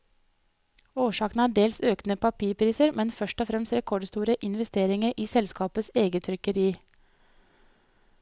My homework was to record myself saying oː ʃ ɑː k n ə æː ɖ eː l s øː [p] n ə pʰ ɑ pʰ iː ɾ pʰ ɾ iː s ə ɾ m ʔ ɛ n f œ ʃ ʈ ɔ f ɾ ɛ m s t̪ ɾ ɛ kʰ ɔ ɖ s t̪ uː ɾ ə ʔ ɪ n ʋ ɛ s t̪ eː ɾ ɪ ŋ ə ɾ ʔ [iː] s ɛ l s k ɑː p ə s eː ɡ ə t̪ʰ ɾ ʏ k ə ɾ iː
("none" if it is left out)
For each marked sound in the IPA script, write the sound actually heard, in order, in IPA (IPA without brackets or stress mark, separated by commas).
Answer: k, iː